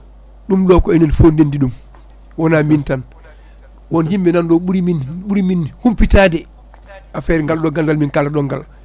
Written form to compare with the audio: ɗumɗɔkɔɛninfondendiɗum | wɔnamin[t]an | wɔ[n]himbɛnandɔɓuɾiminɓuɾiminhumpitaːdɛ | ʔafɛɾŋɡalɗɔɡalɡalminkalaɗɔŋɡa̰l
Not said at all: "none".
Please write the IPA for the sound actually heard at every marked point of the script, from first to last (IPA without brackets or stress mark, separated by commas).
t, n